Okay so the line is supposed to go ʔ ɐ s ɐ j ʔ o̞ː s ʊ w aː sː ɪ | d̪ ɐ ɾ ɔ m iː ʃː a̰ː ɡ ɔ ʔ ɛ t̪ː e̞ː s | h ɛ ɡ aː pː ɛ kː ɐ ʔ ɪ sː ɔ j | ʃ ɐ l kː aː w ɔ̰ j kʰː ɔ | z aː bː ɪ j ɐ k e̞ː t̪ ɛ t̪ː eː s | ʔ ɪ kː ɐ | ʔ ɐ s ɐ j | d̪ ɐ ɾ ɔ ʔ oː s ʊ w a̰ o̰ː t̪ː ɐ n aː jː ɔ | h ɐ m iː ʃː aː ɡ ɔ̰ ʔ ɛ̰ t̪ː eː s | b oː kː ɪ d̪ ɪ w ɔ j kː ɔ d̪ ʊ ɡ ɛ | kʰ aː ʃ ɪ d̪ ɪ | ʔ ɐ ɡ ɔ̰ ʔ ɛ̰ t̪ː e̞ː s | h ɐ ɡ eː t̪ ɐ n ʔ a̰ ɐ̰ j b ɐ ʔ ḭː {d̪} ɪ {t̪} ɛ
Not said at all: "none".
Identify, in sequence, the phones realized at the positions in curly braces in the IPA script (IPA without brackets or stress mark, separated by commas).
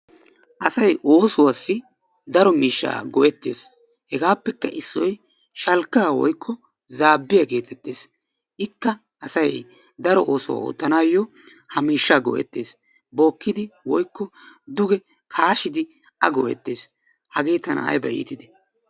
t̪, d̪